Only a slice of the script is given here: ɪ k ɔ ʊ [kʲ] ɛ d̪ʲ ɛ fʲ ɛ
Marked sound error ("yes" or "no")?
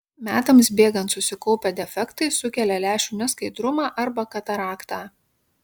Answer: yes